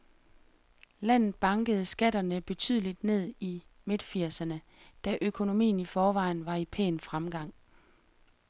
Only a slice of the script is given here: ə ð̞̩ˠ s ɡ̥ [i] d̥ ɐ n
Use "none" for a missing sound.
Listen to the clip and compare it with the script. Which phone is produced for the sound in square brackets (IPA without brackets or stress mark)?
æ